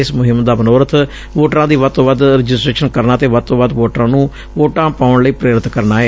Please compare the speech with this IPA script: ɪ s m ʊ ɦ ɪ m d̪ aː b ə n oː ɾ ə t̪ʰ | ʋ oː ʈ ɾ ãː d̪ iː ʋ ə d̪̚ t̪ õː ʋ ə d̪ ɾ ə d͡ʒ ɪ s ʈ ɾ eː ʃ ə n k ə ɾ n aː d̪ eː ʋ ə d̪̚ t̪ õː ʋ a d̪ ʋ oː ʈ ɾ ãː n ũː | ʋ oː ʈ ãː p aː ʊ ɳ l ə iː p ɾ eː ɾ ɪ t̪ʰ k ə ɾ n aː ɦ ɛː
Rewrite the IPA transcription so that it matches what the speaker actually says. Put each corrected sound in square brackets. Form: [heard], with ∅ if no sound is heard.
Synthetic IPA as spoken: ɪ s m ʊ ɦ ɪ m d̪ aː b ə n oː ɾ ə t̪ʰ | ʋ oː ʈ ɾ ãː d̪ iː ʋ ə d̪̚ t̪ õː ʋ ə d̪ ɾ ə d͡ʒ ɪ s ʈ ɾ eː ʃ ə n k ə ɾ n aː [t̪] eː ʋ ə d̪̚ t̪ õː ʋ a d̪ ʋ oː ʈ ɾ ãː n ũː | ʋ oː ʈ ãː p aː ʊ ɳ l ə iː p ɾ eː ɾ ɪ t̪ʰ k ə ɾ n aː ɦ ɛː